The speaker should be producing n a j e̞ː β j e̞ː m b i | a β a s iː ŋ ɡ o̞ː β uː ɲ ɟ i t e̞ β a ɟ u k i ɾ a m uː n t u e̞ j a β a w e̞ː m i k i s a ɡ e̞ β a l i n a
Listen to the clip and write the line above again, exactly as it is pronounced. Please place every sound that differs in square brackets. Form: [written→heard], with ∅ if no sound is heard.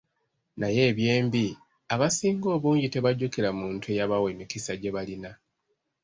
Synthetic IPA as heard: n a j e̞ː β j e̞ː m b i | a β a s iː ŋ ɡ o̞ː β uː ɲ ɟ i t e̞ β a ɟ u k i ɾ a m uː n t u e̞ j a β a w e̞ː m i k i s a [ɡ→ɟ] e̞ β a l i n a